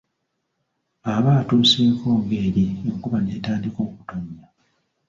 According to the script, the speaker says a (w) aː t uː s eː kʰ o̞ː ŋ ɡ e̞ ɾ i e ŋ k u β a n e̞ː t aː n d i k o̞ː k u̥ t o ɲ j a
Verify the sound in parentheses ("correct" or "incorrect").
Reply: incorrect